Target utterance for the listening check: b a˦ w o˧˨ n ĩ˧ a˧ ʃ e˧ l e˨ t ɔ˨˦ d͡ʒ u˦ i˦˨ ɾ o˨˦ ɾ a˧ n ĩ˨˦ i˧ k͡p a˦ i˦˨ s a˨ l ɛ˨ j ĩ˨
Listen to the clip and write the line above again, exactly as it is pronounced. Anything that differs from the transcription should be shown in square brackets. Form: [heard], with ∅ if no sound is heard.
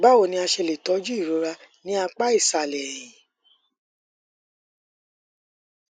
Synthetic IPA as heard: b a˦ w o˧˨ n ĩ˧ a˧ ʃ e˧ l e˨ t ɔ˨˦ d͡ʒ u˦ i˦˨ ɾ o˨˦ ɾ a˧ n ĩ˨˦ [a˧] k͡p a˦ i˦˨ s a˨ l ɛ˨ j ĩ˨